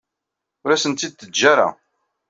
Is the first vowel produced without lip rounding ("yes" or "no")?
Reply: no